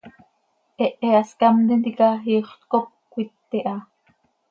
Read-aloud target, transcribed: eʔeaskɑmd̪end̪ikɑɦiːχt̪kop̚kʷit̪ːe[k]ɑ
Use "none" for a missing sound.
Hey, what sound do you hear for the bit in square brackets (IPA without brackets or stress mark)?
ʔ